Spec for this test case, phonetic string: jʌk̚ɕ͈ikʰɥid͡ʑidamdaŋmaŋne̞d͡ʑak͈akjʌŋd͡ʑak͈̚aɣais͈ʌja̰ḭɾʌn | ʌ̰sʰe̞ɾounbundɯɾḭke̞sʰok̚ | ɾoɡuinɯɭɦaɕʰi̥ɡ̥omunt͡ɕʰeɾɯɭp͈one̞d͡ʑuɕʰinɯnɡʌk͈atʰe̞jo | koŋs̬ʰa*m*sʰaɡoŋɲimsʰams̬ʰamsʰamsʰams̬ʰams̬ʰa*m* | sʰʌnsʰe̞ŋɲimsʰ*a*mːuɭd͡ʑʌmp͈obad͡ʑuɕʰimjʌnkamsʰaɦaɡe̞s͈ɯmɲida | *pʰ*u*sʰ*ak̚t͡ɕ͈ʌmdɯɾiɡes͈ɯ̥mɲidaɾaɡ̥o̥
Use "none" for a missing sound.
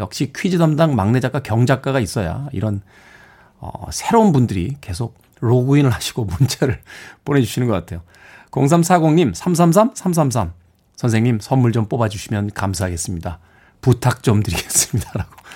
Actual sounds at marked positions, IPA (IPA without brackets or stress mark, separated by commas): m, m, ʌ, p, tʰ